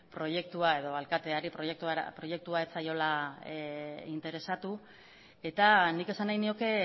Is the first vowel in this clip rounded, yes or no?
yes